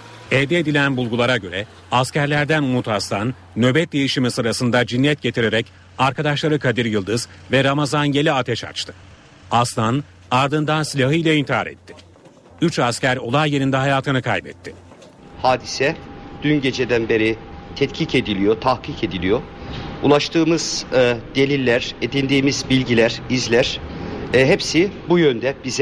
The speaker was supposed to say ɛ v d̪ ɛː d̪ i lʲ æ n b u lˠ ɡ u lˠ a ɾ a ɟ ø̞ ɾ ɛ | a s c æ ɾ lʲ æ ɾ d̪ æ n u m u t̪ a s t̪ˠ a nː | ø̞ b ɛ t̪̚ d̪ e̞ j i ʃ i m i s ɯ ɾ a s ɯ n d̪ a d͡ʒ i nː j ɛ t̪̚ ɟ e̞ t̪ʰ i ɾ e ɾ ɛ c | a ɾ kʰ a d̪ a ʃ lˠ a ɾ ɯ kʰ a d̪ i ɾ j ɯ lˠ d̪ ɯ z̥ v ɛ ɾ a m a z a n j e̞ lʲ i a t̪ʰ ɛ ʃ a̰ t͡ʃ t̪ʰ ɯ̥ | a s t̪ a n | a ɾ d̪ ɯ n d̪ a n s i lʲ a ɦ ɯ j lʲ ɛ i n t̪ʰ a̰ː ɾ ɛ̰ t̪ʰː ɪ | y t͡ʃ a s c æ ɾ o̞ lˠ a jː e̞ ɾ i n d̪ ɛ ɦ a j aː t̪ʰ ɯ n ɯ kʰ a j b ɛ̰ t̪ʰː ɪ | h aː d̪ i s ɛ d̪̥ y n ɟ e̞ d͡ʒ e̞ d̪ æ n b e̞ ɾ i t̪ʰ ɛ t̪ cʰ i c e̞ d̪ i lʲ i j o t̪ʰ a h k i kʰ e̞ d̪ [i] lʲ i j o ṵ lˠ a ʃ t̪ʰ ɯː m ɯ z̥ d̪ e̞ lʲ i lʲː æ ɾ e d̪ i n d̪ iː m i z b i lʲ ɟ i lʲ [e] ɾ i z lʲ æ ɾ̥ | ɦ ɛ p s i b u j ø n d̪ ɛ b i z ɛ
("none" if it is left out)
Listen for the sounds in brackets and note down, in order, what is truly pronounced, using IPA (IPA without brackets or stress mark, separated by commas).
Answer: i, æ